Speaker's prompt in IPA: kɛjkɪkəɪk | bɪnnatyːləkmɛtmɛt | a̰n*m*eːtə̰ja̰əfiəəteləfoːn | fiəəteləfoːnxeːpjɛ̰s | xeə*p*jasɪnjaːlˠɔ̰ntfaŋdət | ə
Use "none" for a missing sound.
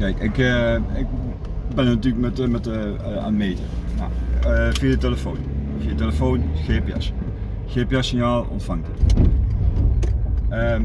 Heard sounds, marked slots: m, p

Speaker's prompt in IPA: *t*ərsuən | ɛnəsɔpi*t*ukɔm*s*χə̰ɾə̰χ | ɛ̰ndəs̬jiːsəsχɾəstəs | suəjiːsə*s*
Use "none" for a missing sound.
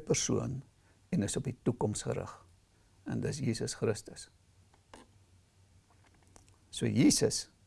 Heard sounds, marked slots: p, t, s, s

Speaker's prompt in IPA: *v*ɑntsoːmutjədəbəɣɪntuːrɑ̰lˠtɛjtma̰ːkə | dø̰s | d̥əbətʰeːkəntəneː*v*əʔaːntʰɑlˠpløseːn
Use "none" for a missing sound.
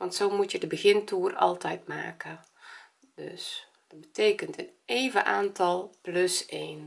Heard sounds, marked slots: ʋ, v

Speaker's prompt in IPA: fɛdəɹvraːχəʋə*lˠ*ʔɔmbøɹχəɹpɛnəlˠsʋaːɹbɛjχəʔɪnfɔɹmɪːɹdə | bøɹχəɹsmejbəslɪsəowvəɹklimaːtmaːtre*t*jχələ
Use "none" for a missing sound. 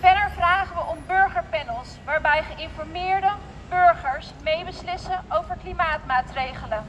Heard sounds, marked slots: none, none

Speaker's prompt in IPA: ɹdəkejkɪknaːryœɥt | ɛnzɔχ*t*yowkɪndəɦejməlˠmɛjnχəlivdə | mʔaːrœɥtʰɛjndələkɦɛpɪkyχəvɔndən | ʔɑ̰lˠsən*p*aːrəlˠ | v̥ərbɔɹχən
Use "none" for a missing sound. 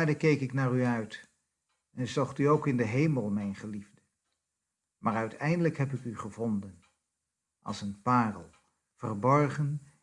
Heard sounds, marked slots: t, p

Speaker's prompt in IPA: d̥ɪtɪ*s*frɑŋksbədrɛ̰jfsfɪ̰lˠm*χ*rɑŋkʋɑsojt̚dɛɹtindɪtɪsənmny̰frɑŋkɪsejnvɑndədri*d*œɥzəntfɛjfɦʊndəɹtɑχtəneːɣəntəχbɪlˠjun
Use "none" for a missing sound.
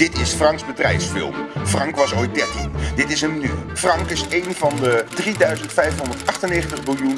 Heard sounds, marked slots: s, f, d

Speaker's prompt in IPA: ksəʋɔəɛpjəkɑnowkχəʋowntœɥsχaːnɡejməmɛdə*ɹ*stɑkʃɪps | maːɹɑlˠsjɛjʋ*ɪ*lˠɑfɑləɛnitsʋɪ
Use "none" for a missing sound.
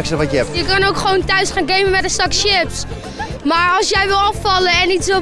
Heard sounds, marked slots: none, ɪ

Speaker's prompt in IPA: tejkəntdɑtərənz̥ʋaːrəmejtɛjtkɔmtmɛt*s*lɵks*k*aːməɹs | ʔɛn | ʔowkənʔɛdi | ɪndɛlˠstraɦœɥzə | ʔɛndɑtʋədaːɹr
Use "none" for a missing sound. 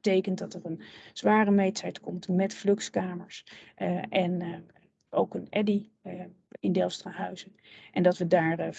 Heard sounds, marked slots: f, k

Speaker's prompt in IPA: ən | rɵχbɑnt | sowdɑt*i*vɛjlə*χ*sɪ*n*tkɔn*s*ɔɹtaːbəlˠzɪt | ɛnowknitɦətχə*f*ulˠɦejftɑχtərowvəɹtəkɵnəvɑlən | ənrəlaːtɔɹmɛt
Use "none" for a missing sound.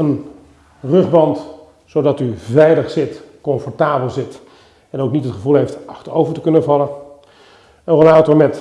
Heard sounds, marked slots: y, χ, none, f, v

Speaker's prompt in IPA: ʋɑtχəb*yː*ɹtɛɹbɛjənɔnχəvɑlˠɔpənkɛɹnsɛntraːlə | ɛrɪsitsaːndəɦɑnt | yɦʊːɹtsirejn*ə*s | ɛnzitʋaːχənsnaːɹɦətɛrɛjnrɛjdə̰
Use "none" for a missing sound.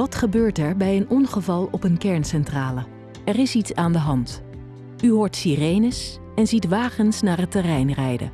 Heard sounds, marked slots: øː, ə

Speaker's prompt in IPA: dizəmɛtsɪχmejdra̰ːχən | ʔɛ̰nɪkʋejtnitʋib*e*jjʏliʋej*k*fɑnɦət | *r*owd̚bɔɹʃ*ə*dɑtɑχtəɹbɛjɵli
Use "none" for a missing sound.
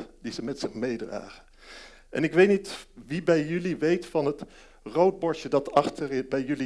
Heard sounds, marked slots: ɛ, t, r, ə

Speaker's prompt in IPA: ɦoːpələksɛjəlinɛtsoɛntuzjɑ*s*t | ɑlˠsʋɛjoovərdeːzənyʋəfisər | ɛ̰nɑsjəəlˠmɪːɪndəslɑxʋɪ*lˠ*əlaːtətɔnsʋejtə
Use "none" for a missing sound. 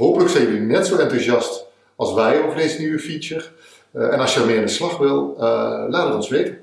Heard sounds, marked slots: s, lˠ

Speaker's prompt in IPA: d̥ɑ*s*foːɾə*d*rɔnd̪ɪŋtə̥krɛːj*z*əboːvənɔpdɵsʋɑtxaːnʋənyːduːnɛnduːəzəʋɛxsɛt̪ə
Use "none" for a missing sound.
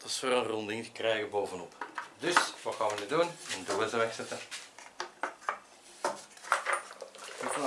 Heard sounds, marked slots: s, n, ɣ

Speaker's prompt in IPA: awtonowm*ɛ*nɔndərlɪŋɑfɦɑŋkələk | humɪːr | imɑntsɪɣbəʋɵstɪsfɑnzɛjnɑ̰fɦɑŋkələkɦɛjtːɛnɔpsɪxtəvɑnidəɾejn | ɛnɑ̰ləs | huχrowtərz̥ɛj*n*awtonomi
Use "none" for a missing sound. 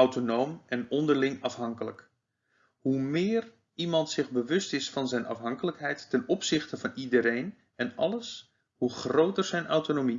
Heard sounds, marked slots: ɛ, n

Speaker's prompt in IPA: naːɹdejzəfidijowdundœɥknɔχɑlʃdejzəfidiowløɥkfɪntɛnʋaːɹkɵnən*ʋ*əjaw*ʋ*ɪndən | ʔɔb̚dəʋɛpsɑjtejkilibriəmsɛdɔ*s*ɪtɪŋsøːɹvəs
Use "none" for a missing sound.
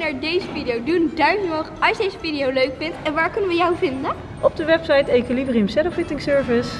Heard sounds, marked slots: ʋ, v, f

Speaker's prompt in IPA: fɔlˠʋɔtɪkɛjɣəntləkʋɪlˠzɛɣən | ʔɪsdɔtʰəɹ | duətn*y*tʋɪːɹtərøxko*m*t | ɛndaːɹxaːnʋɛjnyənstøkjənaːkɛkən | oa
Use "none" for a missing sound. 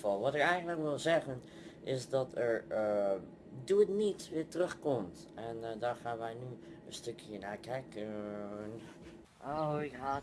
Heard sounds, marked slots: i, m

